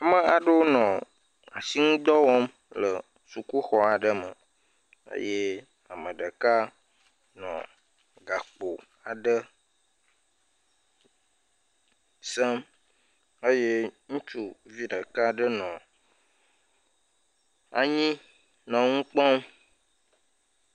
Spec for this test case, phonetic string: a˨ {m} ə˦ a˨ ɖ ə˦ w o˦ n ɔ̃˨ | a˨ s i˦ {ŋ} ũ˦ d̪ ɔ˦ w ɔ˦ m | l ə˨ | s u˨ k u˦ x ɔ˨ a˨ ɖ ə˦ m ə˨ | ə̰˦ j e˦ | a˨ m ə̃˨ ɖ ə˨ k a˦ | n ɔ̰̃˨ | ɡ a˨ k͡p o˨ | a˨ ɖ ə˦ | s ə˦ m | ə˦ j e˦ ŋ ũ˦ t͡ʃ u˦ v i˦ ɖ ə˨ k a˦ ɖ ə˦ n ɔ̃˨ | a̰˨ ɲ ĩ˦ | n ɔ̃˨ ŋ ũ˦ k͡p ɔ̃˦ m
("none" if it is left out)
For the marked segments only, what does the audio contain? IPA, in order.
m, ŋ

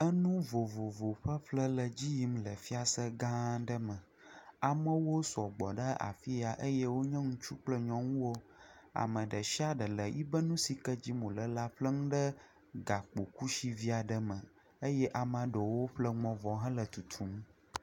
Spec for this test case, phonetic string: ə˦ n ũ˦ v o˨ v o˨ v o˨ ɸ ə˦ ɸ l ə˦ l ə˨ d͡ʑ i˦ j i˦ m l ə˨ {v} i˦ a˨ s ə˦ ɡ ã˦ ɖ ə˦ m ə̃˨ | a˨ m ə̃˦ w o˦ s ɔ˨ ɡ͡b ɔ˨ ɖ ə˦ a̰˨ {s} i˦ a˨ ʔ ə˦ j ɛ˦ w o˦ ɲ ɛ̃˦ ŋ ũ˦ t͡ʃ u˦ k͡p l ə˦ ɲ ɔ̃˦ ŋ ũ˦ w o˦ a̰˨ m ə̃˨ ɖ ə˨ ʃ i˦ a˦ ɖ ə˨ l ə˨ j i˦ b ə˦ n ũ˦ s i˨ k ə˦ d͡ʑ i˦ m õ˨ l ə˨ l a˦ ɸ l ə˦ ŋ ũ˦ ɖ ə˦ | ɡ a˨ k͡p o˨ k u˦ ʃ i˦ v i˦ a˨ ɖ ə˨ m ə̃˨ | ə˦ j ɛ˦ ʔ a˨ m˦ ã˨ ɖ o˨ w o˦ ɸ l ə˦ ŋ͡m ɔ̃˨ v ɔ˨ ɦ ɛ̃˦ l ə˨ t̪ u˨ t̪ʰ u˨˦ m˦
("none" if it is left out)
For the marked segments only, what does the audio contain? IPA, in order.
f, f

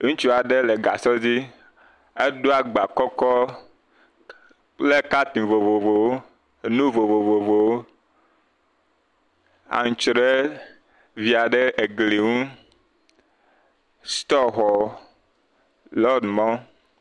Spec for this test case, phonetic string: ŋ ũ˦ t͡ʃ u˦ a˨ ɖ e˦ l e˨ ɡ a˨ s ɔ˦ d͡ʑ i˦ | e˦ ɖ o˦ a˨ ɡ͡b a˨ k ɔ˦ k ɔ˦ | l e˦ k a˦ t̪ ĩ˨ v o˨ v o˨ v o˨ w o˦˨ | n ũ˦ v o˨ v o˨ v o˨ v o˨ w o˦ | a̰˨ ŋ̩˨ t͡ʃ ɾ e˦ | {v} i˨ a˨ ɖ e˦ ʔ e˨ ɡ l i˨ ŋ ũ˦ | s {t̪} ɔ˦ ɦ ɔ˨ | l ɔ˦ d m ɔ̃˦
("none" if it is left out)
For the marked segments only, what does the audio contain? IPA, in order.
v, t̪

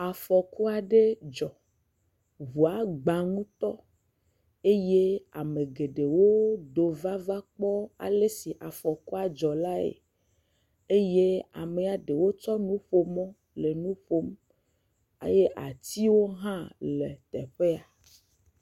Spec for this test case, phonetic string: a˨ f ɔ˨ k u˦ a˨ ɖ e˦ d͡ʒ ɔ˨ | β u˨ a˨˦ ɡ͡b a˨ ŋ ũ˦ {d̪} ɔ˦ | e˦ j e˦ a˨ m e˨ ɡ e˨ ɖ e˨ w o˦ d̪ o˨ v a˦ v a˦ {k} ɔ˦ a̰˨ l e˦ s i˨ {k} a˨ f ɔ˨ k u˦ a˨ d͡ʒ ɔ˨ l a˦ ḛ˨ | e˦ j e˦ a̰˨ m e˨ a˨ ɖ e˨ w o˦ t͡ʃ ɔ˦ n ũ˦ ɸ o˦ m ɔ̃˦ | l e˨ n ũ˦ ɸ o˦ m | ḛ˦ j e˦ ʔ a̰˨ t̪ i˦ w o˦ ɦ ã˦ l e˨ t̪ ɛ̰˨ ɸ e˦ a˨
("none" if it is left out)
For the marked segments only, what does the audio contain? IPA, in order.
t̪, k͡p, ʔ

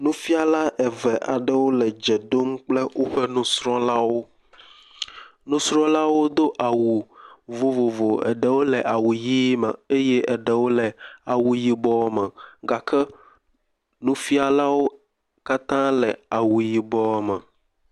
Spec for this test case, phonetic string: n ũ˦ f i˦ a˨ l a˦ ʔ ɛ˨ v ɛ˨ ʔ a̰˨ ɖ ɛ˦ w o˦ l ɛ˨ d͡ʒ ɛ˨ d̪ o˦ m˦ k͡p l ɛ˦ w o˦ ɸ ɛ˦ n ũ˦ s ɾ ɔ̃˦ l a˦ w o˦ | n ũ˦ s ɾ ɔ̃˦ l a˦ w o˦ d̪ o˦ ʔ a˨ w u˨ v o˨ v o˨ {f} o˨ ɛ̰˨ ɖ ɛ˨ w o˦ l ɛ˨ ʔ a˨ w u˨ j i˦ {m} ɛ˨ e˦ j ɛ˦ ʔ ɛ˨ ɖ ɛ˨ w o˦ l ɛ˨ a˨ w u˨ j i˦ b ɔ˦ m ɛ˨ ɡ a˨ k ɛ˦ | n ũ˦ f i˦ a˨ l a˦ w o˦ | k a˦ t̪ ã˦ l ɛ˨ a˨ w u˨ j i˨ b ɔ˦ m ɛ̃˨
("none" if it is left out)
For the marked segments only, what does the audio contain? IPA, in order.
v, m

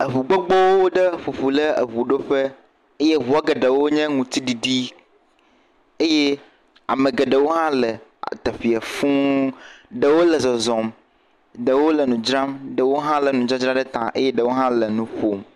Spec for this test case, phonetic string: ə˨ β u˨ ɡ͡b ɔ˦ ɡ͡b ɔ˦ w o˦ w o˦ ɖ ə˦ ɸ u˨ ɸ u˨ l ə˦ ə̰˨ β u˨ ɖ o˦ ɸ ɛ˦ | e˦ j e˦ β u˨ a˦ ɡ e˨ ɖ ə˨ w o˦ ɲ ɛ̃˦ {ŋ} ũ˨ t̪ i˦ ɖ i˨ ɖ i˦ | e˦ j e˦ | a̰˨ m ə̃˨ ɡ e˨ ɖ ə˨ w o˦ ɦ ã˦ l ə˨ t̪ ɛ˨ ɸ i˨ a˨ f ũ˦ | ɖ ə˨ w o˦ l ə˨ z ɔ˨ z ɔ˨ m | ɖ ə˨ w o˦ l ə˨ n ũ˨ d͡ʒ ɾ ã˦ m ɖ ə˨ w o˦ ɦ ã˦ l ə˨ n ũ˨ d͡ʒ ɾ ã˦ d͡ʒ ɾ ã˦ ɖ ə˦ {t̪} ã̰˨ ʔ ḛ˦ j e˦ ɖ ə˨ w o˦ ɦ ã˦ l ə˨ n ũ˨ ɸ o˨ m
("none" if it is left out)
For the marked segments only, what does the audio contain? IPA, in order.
ŋ, t̪

